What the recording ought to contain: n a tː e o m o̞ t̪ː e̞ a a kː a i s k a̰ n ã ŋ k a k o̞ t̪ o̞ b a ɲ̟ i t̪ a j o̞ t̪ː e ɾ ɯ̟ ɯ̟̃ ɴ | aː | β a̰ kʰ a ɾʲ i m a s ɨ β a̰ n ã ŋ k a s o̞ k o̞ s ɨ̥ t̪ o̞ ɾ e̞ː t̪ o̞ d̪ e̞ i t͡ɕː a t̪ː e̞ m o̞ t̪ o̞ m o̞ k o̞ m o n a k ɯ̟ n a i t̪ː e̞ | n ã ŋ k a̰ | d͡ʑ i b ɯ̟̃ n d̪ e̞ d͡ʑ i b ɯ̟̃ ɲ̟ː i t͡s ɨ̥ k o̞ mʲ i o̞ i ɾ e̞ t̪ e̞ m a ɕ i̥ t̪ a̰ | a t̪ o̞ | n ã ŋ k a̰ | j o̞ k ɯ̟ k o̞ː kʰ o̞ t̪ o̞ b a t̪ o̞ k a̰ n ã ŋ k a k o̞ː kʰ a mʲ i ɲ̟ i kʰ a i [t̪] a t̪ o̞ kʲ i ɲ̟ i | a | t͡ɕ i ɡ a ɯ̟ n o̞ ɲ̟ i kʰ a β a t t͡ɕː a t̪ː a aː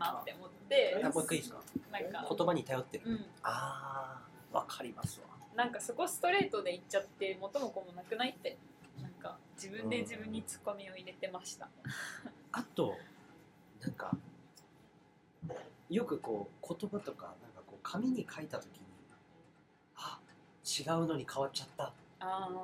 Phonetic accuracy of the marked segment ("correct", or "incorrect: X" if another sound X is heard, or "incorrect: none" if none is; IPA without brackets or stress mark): correct